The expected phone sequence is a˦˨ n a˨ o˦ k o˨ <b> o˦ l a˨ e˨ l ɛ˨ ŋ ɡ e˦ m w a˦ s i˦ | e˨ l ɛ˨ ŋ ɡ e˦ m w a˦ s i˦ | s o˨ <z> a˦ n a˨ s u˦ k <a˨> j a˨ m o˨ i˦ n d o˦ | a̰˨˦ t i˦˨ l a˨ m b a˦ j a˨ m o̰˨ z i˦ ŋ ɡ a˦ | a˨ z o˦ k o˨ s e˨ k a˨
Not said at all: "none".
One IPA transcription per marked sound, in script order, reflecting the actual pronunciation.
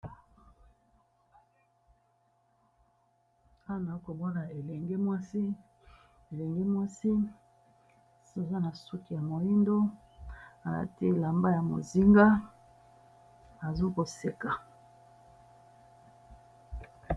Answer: b, z, i˨

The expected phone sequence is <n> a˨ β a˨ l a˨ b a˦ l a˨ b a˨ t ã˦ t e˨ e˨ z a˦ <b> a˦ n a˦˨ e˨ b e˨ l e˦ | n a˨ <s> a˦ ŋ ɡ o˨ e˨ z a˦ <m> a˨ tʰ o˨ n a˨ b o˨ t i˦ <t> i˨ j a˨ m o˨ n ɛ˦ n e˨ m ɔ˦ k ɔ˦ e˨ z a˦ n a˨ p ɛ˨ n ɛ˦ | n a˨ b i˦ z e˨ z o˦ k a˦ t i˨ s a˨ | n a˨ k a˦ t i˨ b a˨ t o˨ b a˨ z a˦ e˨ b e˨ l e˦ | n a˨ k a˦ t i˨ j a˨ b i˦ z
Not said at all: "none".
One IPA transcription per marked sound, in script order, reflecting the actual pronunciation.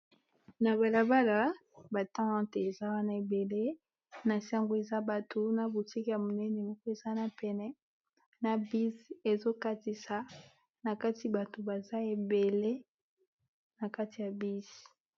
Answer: n, w, s, b, k

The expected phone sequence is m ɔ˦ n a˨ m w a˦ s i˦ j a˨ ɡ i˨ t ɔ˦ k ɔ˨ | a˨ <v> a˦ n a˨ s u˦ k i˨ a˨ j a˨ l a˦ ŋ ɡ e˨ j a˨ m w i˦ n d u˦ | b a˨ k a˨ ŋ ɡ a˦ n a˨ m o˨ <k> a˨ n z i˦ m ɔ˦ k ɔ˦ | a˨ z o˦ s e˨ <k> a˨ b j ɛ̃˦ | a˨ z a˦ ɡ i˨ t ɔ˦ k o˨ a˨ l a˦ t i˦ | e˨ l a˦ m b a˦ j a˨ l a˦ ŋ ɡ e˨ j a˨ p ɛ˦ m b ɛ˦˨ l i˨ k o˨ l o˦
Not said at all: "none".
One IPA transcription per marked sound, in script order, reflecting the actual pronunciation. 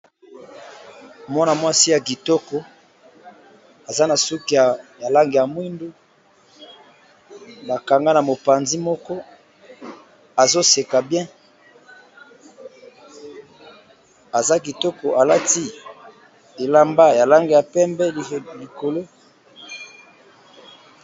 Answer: z, p, k

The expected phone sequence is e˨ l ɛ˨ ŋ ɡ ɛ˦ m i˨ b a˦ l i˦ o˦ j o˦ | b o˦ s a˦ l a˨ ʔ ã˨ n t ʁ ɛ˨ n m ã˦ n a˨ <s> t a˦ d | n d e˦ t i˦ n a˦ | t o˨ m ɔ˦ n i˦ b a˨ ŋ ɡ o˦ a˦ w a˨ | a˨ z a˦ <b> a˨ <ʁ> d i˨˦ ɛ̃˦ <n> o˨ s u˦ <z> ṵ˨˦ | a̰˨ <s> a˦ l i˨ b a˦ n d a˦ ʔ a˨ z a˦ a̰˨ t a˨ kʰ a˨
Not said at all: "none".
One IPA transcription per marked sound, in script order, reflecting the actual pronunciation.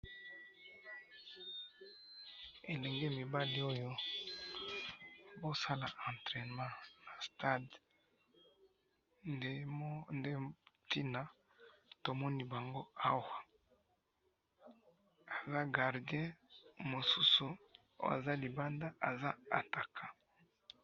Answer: s, ɡ, ʁ, m, s, z

